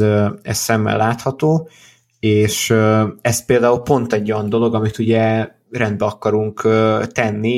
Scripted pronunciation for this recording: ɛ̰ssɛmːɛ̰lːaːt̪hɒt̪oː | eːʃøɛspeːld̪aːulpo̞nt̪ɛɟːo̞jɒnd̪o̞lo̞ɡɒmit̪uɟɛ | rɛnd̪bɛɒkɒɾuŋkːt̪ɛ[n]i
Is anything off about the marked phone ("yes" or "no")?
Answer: yes